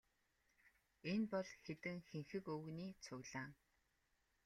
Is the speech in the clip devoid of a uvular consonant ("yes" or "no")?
yes